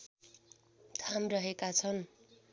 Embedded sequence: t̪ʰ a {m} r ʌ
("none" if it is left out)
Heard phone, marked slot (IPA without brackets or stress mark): m